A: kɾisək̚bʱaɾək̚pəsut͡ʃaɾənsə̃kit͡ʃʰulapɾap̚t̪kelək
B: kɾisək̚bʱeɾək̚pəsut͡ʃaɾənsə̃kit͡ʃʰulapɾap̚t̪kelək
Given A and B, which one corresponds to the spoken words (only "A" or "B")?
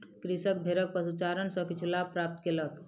B